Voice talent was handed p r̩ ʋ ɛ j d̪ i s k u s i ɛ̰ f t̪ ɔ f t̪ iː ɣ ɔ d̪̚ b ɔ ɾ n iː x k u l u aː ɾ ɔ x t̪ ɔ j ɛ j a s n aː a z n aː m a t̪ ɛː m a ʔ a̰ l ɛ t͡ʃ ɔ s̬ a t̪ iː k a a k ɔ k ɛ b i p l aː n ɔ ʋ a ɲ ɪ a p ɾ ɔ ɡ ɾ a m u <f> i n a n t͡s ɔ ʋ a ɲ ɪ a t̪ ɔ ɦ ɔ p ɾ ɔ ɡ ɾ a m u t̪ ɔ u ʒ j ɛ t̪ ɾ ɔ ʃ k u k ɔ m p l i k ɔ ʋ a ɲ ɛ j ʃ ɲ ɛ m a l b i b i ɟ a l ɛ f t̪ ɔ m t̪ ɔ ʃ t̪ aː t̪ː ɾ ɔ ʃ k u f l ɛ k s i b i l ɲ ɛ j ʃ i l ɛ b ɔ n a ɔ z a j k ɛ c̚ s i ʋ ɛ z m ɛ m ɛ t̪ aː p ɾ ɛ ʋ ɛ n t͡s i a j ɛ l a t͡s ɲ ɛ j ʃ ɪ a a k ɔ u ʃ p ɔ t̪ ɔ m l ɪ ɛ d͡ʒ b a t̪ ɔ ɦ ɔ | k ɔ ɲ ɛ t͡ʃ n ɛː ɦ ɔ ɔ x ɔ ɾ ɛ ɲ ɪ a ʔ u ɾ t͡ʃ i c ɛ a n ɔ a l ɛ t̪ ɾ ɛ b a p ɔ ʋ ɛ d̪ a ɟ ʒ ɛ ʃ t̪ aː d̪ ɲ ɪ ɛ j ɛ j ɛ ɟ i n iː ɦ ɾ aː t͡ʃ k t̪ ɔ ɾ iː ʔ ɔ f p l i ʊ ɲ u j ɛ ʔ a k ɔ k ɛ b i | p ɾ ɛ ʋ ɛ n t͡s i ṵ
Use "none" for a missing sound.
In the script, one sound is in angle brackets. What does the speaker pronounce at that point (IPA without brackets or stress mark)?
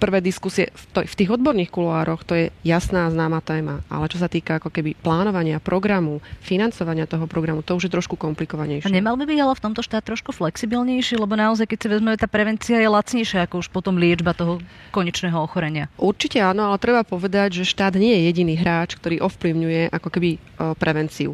f